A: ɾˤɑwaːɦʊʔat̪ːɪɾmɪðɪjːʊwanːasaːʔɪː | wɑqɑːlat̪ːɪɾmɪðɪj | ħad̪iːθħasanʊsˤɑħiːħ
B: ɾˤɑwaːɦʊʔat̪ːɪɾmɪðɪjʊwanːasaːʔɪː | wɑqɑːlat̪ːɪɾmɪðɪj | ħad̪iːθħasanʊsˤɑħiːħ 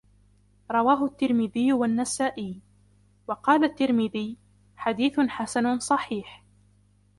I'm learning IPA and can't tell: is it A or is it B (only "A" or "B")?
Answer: A